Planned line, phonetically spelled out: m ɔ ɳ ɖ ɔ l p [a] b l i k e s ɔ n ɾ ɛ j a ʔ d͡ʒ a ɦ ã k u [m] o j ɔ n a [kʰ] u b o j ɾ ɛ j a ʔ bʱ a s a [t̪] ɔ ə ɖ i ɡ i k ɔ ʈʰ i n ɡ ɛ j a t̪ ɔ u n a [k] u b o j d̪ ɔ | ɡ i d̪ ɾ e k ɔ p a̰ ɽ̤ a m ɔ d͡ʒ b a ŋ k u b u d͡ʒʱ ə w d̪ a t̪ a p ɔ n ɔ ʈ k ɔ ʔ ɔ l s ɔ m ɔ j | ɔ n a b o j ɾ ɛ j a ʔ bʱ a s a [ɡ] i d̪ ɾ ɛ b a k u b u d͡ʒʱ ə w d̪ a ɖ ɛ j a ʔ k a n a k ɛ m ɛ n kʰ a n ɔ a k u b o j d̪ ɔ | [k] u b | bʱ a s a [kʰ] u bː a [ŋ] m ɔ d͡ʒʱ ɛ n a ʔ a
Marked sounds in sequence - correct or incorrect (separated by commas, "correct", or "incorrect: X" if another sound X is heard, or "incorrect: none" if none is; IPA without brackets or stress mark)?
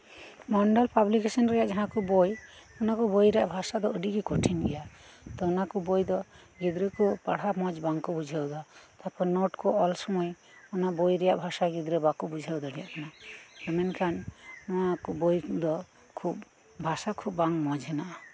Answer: correct, incorrect: b, incorrect: k, incorrect: d̪, correct, correct, incorrect: kʰ, correct, correct